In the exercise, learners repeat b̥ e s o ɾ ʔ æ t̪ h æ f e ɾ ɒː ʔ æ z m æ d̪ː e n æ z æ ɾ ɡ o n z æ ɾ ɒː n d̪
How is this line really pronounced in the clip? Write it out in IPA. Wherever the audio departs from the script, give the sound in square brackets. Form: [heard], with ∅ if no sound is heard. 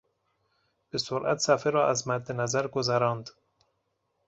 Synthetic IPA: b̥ e s o ɾ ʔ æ t̪ [s] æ f e ɾ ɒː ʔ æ z m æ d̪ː e n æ z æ ɾ ɡ o [∅] z æ ɾ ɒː n d̪